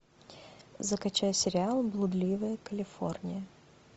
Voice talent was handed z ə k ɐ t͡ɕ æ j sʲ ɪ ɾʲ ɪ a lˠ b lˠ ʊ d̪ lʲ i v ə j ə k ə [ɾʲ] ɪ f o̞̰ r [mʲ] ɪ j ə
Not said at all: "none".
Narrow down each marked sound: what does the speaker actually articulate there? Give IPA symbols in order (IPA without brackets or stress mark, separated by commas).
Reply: lʲ, nʲ